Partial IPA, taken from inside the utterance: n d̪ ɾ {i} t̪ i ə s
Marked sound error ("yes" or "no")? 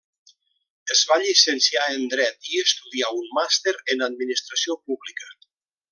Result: yes